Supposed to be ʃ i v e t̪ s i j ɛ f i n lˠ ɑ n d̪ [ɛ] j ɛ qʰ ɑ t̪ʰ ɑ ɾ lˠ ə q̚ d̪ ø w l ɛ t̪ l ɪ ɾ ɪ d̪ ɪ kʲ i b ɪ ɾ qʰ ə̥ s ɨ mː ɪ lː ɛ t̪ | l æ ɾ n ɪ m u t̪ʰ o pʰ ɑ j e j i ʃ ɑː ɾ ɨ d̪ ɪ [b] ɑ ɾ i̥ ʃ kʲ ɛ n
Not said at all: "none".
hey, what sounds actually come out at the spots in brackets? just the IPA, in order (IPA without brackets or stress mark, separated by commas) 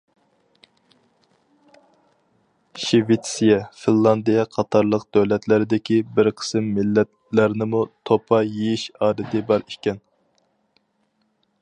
i, b